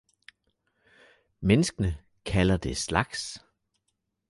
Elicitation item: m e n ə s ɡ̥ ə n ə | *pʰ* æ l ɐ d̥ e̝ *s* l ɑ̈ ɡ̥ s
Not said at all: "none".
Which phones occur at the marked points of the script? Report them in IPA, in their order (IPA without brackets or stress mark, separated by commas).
kʰ, s